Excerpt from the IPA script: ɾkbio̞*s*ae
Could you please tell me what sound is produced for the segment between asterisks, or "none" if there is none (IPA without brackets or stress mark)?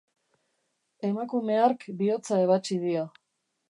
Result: t͡s